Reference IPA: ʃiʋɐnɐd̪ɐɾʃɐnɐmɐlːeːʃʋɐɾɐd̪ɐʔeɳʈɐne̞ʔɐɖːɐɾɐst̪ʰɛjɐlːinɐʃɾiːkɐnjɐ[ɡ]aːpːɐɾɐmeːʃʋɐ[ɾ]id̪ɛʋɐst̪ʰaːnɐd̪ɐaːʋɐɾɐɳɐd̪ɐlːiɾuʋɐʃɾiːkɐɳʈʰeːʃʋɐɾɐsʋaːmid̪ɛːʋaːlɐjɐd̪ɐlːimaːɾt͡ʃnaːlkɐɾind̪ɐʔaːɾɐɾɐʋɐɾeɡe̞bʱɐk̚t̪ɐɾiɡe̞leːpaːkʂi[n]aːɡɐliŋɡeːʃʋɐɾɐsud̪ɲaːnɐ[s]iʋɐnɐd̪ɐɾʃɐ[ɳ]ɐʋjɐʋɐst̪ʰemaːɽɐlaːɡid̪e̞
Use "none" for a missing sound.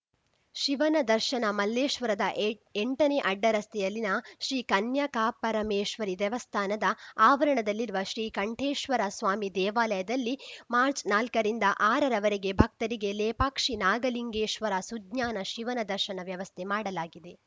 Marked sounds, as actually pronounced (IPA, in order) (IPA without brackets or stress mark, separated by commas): k, ɾ, n, ʃ, n